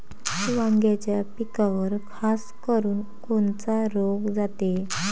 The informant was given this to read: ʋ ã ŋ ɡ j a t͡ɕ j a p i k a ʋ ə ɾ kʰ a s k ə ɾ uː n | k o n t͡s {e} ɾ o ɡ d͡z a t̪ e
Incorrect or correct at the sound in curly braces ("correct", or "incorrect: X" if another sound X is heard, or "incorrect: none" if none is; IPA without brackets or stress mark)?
incorrect: a